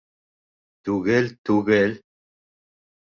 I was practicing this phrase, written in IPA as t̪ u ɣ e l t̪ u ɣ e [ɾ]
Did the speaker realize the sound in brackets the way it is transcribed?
no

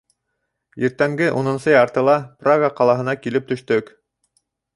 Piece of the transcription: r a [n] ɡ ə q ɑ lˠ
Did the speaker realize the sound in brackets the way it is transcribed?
no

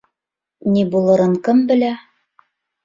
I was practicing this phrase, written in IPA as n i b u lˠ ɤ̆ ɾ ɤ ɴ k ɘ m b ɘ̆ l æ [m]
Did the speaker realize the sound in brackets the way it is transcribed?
no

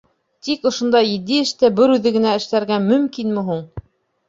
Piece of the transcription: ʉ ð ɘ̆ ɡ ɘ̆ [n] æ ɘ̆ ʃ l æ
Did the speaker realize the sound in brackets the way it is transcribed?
yes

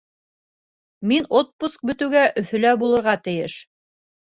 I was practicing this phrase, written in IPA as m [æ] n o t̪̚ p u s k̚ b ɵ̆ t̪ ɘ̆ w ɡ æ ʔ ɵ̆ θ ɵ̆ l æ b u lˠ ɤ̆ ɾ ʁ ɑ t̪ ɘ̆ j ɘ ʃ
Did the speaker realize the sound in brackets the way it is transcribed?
no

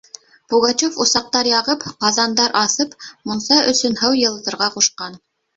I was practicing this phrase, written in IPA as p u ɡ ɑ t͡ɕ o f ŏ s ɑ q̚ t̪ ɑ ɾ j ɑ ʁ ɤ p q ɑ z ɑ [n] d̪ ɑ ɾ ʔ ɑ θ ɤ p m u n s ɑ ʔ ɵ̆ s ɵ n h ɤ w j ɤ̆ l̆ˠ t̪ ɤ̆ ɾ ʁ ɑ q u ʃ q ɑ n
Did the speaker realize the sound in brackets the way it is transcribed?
yes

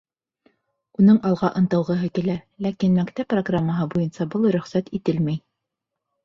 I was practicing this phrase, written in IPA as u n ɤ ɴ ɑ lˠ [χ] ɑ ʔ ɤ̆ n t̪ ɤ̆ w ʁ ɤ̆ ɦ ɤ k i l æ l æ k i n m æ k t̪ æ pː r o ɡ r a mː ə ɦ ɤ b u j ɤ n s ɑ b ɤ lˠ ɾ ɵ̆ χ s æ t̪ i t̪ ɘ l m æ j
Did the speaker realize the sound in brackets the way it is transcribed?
no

